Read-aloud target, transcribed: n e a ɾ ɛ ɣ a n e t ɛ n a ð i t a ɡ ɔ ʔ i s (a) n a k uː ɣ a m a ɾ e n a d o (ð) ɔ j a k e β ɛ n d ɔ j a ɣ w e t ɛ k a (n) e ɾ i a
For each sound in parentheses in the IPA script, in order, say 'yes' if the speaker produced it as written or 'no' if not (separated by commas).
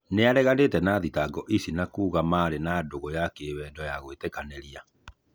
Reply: no, no, yes